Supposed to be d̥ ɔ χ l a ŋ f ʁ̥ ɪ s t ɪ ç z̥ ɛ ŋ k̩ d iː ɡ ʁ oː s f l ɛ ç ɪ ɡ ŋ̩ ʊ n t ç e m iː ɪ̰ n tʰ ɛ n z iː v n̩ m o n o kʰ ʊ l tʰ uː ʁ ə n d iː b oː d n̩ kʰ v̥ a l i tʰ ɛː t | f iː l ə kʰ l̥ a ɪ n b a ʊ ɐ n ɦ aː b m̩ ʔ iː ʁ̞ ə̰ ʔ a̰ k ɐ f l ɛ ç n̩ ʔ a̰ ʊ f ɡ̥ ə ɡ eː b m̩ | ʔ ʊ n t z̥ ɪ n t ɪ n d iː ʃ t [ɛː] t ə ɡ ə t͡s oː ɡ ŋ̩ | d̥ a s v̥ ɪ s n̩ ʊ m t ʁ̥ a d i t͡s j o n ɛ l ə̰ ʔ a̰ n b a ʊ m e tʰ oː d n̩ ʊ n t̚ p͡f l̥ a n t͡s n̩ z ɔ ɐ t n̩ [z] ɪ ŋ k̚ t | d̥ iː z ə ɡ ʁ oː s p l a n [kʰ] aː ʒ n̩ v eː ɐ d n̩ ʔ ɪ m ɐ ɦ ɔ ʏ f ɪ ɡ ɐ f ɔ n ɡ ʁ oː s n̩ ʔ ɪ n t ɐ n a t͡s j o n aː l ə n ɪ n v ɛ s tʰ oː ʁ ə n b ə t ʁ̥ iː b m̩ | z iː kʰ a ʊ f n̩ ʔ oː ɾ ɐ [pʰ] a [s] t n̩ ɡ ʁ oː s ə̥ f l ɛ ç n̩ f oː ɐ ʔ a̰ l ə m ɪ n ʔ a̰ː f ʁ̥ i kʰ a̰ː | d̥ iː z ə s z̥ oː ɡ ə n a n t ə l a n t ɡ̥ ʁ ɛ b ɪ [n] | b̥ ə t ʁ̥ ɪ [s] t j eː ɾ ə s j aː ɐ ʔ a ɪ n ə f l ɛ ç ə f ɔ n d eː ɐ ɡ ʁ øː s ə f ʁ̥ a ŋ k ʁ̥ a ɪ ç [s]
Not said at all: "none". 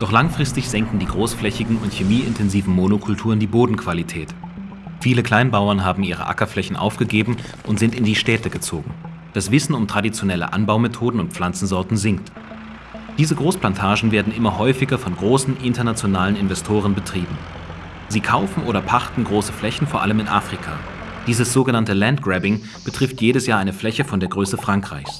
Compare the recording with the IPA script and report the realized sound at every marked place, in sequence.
ɛː, z, tʰ, pʰ, χ, ŋ, f, s

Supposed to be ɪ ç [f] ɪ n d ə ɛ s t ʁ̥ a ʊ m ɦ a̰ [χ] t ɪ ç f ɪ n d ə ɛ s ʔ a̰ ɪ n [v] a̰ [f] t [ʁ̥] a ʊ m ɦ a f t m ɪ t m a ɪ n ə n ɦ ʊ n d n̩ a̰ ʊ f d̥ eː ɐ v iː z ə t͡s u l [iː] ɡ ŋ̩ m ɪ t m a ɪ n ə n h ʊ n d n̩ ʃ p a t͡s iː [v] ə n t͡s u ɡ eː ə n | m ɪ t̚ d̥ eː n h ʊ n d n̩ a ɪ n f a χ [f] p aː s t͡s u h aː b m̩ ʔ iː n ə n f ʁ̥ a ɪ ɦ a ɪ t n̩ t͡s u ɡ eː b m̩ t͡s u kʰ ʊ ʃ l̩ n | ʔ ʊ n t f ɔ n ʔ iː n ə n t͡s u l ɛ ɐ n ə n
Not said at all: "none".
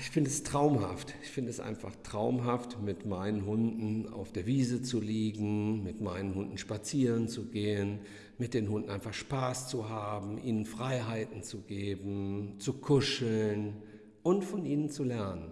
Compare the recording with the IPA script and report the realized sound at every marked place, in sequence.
f, f, f, χ, ʁ̥, iː, ʁ, ʃ

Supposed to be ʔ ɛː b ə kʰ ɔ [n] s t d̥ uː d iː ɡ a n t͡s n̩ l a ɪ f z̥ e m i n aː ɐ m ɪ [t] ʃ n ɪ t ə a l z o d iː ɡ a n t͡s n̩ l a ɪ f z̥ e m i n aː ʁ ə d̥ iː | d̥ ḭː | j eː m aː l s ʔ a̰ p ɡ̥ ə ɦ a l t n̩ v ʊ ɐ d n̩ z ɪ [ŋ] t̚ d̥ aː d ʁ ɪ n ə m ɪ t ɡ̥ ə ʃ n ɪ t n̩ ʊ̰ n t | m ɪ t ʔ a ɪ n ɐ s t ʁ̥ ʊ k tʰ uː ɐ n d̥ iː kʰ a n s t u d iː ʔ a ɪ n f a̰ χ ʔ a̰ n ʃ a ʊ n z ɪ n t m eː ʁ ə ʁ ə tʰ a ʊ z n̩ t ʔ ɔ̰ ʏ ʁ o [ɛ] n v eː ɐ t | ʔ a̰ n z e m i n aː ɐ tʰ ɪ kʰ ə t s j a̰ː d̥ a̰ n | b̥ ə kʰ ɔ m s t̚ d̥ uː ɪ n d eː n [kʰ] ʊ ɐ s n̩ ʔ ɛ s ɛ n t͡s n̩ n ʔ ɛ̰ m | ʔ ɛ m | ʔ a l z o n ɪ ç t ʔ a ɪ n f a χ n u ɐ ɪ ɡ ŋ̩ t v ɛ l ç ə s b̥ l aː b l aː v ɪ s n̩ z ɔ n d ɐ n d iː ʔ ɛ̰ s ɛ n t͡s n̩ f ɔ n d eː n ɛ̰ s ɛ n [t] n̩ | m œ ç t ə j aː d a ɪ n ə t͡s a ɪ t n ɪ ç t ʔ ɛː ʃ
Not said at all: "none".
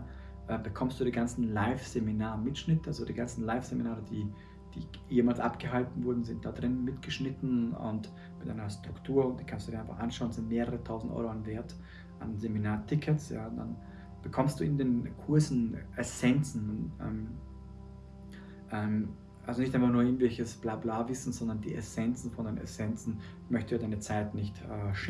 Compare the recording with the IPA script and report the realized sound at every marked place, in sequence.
m, t, n, a, kʰ, t͡s

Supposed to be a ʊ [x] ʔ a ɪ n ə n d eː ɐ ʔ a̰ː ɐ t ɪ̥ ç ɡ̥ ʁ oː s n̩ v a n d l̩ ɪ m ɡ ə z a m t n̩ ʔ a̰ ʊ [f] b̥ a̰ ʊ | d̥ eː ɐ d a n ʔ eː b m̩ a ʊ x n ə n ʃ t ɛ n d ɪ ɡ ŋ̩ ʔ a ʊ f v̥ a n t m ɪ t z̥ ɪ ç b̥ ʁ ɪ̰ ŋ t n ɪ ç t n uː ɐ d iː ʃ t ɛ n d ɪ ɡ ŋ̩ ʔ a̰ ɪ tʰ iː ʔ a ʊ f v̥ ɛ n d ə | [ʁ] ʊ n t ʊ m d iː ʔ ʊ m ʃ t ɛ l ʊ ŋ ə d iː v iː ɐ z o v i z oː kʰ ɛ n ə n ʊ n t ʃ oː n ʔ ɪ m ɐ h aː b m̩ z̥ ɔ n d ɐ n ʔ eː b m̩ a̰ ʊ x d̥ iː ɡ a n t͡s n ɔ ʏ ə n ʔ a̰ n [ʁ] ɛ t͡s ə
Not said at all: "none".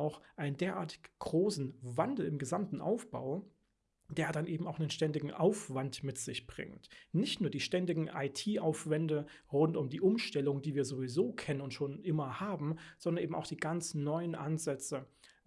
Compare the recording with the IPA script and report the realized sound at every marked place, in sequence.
x, f, ʁ, z

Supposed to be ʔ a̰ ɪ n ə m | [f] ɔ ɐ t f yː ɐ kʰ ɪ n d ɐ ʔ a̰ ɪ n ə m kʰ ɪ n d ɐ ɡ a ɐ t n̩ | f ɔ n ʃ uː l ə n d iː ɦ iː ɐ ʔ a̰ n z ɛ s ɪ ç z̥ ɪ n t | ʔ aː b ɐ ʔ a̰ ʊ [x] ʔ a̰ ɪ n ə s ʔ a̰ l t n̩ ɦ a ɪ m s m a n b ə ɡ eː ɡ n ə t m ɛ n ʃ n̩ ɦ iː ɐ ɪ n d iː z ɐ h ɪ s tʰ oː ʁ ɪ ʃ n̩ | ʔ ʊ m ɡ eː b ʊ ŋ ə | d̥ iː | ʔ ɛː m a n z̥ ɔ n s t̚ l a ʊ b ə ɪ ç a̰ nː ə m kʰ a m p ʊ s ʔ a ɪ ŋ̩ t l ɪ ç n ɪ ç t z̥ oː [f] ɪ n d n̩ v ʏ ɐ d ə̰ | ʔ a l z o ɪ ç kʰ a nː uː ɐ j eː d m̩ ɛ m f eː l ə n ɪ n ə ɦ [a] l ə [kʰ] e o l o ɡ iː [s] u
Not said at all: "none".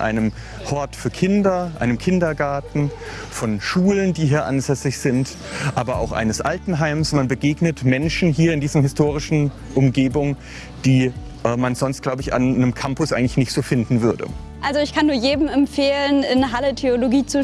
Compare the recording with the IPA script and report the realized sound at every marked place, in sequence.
h, x, f, a, tʰ, t͡s

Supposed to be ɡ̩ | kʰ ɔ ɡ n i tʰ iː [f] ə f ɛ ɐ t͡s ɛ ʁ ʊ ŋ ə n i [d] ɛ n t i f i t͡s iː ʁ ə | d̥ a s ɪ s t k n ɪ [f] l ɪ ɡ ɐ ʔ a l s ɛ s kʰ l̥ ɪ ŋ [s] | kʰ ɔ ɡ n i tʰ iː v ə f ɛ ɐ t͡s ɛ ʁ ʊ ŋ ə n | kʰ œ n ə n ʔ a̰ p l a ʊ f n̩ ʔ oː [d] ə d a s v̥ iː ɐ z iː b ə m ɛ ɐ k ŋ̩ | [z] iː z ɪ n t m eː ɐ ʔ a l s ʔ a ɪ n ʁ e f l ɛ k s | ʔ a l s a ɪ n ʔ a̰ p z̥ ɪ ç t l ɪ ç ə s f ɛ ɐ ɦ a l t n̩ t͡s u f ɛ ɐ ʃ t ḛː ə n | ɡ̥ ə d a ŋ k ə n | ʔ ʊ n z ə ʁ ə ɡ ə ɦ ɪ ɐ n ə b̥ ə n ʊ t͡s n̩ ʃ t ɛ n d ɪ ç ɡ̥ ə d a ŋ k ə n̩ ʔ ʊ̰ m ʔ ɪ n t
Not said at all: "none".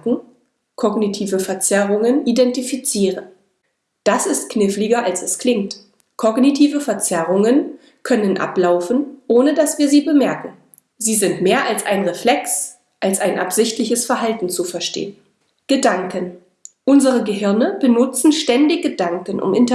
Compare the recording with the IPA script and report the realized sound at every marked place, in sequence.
v, d, f, t, n, z

